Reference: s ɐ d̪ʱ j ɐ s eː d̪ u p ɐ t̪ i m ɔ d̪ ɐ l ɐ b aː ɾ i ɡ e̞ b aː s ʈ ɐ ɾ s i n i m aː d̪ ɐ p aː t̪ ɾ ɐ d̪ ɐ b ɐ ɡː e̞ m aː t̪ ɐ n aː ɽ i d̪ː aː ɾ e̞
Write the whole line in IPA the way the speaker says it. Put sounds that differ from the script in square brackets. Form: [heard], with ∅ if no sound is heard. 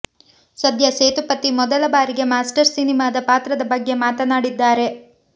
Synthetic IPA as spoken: s ɐ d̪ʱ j ɐ s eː [t̪] u p ɐ t̪ i m ɔ d̪ ɐ l ɐ b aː ɾ i ɡ e̞ [m] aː s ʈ ɐ ɾ s i n i m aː d̪ ɐ p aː t̪ ɾ ɐ d̪ ɐ b ɐ ɡː e̞ m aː t̪ ɐ n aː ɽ i d̪ː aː ɾ e̞